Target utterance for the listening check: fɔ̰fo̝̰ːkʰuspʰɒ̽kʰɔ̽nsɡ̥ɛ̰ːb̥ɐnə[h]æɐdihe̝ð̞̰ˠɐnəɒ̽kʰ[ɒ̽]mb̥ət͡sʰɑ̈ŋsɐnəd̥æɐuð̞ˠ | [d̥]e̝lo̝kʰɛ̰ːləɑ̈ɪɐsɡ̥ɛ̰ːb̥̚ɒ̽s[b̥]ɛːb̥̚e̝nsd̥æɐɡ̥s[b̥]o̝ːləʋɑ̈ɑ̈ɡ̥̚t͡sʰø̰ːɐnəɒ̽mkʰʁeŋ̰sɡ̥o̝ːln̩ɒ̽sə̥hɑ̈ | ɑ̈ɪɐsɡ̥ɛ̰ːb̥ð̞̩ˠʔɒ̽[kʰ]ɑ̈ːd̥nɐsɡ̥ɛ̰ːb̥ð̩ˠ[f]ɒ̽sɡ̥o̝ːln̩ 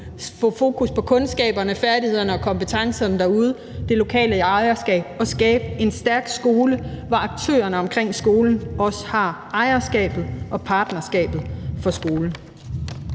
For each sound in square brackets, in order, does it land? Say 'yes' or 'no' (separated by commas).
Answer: no, yes, yes, no, no, no, yes